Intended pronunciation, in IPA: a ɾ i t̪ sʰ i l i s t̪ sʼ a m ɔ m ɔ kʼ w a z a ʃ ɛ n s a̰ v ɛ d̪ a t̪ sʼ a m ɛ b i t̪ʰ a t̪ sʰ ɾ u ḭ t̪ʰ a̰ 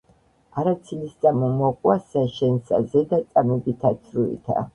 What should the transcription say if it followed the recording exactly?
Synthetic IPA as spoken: a ɾ a t̪ sʰ i l i s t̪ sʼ a m ɔ m ɔ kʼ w a s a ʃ ɛ n s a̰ z ɛ d̪ a t̪ sʼ a m ɛ b i t̪ʰ a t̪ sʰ ɾ u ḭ t̪ʰ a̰